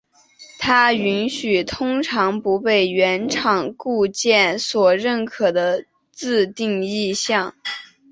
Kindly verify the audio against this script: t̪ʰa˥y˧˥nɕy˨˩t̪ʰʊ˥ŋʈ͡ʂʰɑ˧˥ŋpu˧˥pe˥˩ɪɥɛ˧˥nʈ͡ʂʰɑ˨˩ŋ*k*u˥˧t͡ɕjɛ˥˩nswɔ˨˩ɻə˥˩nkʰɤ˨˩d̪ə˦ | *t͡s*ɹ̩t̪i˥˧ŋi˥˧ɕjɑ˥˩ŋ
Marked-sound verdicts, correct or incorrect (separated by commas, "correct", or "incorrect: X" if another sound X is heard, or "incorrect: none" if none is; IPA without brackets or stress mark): correct, correct